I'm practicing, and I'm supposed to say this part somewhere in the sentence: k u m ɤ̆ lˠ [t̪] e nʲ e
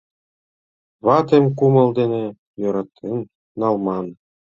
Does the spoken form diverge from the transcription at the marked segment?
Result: yes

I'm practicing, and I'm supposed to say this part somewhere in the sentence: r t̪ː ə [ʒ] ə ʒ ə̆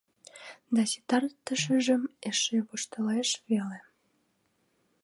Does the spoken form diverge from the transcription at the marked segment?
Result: yes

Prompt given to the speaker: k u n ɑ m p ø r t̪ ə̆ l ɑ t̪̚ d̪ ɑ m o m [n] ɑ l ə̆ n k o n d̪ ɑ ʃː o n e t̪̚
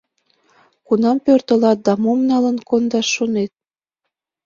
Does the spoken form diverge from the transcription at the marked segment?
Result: no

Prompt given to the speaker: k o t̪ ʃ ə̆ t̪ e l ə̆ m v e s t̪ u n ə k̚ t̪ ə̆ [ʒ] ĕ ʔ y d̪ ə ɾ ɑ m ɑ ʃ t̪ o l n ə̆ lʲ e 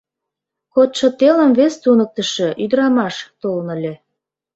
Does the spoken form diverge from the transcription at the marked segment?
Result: yes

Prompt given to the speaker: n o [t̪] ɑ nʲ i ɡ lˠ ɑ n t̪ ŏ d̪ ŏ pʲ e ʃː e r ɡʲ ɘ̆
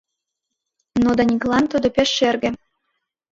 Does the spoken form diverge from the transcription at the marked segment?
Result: yes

